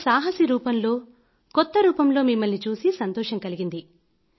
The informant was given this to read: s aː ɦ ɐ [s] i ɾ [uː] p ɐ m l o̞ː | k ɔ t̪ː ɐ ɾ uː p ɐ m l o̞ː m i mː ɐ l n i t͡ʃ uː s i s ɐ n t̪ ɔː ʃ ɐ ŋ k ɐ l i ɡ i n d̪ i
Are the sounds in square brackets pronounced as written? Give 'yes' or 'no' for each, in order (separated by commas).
yes, yes